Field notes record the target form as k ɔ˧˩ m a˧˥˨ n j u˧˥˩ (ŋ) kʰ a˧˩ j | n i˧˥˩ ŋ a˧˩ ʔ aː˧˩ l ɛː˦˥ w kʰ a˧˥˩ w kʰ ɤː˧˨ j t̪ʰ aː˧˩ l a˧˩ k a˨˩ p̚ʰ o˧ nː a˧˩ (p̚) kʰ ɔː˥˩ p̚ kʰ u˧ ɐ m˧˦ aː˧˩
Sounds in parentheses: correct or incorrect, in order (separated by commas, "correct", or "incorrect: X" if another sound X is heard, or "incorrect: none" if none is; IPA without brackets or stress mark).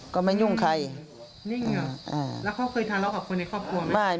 correct, incorrect: none